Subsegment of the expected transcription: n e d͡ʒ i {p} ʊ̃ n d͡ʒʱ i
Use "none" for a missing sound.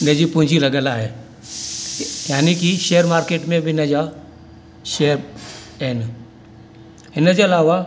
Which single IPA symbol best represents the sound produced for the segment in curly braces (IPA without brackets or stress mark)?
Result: p